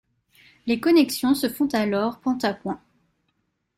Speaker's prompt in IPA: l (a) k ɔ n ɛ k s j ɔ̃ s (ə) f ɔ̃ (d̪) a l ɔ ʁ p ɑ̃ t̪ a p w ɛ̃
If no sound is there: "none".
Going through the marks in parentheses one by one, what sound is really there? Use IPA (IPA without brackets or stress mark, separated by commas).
e, ə, t̪